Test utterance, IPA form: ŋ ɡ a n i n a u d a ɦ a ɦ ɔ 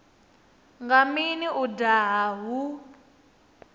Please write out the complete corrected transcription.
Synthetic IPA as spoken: ŋ ɡ a m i n i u d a ɦ a ɦ u